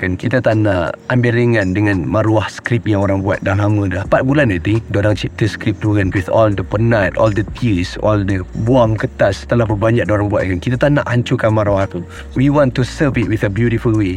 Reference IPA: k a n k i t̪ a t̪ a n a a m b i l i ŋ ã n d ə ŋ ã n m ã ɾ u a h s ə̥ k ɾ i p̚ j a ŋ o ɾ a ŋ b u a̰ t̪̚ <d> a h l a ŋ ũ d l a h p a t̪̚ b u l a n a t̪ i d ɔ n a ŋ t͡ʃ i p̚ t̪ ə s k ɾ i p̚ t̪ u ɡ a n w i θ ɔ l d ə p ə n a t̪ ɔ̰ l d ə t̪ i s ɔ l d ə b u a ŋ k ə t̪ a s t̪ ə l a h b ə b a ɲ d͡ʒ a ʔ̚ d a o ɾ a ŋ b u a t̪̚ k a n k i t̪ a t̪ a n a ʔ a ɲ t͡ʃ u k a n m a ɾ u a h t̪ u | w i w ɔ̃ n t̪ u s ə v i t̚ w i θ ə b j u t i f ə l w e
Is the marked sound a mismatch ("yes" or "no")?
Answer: no